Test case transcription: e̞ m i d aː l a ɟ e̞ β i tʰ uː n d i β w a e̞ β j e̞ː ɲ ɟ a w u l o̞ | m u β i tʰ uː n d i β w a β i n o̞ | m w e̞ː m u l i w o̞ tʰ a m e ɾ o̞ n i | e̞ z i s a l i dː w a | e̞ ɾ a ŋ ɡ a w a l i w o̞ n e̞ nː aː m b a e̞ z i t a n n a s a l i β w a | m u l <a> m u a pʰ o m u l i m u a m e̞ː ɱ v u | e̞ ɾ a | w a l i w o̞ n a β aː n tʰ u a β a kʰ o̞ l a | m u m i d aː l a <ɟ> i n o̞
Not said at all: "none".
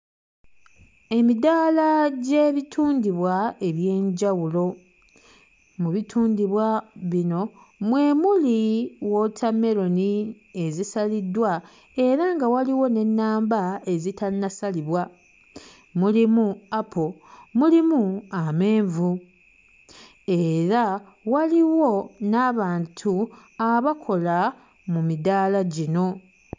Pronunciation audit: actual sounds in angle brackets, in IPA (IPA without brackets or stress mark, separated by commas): i, ɟ